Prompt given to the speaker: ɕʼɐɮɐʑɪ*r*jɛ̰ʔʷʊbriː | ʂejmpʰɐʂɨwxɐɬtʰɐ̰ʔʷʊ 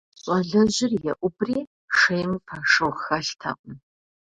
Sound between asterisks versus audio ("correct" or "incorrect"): correct